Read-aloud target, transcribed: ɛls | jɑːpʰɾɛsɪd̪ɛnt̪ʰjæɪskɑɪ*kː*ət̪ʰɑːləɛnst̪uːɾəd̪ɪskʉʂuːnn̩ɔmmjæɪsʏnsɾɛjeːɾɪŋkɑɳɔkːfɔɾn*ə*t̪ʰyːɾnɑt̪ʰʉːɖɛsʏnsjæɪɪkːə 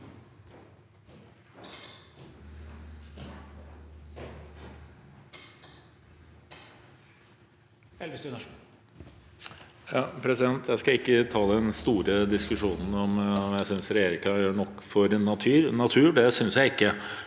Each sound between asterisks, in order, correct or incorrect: correct, incorrect: ɑ

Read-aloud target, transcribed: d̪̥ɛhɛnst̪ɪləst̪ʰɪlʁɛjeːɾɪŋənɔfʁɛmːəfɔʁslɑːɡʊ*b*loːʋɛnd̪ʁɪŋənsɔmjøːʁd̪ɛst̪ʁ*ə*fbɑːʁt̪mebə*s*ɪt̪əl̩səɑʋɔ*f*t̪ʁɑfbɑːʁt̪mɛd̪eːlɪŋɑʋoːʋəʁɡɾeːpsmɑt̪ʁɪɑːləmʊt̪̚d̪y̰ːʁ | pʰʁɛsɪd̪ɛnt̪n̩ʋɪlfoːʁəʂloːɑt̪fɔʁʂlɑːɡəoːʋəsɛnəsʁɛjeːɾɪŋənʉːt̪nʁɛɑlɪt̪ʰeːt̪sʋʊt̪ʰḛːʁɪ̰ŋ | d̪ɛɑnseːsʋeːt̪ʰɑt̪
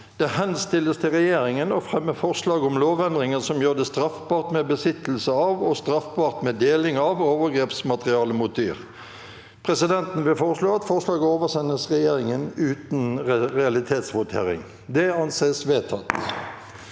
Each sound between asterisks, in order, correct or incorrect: incorrect: m, incorrect: ɑ, correct, incorrect: s

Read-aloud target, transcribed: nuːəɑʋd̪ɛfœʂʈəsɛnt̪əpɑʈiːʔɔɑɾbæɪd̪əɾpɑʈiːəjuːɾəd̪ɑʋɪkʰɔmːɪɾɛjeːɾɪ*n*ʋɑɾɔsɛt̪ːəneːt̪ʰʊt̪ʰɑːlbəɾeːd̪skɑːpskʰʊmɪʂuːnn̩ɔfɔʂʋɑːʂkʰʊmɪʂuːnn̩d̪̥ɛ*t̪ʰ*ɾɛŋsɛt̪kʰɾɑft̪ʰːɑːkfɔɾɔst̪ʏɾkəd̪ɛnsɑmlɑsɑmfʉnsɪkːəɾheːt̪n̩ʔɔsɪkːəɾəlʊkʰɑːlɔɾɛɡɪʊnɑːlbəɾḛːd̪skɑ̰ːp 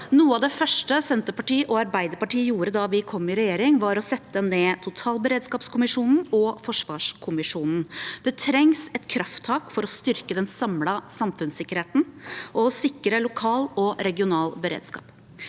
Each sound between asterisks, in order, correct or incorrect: incorrect: ŋ, correct

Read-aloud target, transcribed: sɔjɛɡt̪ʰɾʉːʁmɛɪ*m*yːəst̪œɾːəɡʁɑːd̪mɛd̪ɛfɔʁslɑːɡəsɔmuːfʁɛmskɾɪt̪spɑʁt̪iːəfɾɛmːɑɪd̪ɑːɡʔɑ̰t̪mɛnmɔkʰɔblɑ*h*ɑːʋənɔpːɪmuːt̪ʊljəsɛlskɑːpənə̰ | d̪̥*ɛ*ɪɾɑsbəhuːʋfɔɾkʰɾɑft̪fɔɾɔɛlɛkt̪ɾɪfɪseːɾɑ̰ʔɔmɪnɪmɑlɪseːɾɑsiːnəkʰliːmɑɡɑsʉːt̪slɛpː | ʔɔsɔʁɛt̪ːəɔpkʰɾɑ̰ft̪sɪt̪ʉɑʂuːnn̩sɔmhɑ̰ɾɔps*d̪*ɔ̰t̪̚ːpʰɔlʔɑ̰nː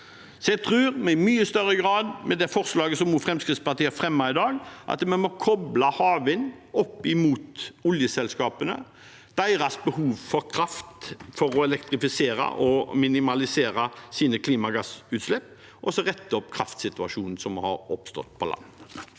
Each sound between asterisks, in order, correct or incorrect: correct, correct, incorrect: æ, incorrect: t̪

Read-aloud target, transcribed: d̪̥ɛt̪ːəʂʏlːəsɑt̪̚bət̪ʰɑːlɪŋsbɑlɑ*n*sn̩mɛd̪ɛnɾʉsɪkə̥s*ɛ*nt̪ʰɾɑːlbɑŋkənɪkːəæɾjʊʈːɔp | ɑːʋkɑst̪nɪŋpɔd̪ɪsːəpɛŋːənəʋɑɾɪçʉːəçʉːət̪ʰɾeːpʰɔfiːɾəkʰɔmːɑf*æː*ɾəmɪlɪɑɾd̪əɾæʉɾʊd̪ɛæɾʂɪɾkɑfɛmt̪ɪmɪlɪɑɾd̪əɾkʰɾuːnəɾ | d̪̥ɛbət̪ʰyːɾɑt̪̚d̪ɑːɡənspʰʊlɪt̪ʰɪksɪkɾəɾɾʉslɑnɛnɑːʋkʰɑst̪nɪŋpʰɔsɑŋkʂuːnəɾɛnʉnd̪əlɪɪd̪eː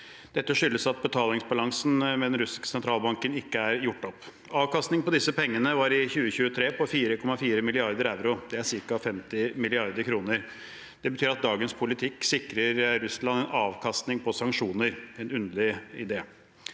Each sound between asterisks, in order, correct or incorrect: incorrect: ŋ, correct, incorrect: iː

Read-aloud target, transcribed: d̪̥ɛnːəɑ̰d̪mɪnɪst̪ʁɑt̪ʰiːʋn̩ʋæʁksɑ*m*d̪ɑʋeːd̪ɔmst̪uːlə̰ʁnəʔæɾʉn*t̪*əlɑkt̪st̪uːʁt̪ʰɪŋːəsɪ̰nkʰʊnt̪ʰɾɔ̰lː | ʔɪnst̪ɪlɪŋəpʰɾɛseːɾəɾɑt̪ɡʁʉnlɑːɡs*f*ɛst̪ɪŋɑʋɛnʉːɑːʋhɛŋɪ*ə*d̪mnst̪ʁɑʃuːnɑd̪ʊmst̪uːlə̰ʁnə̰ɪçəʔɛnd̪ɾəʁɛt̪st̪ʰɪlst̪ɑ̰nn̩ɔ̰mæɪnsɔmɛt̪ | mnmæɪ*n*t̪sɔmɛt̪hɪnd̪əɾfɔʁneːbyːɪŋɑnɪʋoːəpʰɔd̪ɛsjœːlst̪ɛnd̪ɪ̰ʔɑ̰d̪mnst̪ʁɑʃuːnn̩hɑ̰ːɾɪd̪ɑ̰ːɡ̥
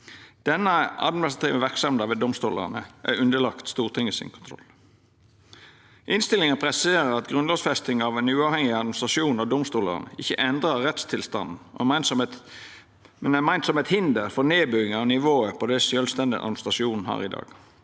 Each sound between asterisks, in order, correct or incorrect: correct, incorrect: d̪, correct, incorrect: ɑ, correct

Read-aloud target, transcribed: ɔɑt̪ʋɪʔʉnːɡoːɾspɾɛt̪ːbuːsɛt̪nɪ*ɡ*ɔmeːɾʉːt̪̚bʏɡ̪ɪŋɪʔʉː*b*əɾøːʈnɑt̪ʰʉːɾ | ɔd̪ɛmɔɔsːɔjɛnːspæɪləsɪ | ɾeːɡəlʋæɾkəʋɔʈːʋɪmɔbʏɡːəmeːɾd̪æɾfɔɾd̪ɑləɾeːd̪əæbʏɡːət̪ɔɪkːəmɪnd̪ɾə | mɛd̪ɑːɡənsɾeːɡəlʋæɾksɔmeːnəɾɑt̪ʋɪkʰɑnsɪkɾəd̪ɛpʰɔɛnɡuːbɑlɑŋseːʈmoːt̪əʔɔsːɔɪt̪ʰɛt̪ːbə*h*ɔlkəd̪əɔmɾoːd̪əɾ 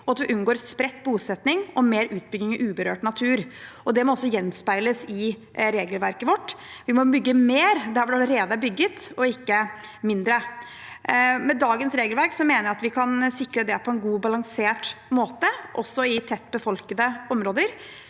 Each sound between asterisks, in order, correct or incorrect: incorrect: ŋ, correct, incorrect: f

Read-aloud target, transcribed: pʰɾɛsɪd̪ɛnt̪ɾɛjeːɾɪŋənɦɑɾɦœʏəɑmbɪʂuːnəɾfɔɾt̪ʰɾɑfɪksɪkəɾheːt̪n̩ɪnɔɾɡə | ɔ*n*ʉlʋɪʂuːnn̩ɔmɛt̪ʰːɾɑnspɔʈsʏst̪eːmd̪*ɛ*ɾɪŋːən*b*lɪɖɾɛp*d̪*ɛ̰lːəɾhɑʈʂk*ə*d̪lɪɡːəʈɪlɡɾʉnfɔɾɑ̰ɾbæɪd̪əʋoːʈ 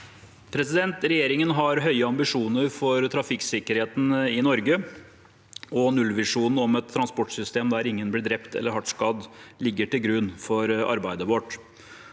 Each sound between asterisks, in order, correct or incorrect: correct, incorrect: æ, correct, incorrect: t̪, incorrect: ɑ

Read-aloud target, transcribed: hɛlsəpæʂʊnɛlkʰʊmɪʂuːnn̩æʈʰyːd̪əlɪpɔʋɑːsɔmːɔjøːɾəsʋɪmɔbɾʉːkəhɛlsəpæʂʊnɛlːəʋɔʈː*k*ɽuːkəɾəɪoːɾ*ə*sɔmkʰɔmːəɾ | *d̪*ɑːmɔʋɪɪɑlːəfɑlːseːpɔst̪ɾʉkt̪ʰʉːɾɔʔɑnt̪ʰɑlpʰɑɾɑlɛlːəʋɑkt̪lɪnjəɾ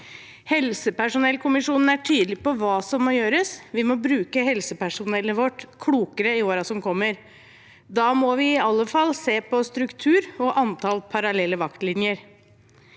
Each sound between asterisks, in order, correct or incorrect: incorrect: kʰ, incorrect: ɑ, correct

